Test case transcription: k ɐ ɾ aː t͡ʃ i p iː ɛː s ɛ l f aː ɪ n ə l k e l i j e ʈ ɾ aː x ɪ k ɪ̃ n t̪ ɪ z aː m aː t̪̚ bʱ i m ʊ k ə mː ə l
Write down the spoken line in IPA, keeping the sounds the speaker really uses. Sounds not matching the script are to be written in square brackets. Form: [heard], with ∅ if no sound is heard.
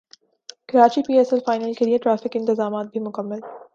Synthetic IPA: k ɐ ɾ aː t͡ʃ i p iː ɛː s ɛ l f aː ɪ n ə l k e l i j e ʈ ɾ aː [f] ɪ k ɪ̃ n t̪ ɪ z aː m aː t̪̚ bʱ i m ʊ k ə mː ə l